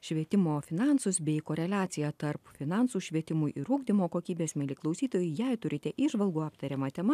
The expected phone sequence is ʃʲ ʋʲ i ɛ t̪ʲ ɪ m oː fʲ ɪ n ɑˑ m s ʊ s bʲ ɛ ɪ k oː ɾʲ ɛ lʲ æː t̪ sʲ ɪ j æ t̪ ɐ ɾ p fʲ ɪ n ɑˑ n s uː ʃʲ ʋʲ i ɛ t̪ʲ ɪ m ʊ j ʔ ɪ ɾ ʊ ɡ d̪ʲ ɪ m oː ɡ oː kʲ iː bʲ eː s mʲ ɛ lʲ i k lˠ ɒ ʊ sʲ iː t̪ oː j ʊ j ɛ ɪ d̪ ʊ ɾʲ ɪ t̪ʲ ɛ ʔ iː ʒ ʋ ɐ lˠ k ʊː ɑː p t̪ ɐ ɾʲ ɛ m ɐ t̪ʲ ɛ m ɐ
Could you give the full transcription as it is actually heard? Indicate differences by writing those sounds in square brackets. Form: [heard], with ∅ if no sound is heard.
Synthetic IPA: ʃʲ ʋʲ i ɛ t̪ʲ ɪ m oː fʲ ɪ n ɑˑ [n] s ʊ s bʲ ɛ ɪ k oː ɾʲ ɛ lʲ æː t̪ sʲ ɪ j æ t̪ ɐ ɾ p fʲ ɪ n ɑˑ n s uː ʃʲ ʋʲ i ɛ t̪ʲ ɪ m ʊ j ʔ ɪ ɾ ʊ ɡ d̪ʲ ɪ m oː [k] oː kʲ iː bʲ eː s mʲ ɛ lʲ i k lˠ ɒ ʊ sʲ iː t̪ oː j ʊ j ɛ ɪ [t̪] ʊ ɾʲ ɪ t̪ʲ ɛ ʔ iː ʒ ʋ ɐ lˠ [ɡ] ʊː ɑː p t̪ ɐ ɾʲ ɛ m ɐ t̪ʲ ɛ m ɐ